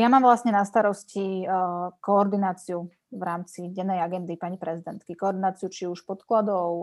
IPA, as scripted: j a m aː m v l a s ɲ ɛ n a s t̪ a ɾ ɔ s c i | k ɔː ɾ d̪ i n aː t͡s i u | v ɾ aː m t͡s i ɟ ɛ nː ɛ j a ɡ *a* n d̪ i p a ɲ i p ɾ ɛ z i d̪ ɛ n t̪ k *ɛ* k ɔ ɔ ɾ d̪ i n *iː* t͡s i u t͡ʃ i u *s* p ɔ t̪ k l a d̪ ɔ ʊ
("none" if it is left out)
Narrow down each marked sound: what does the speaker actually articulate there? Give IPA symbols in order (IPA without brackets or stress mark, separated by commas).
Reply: ɛ, i, aː, ʃ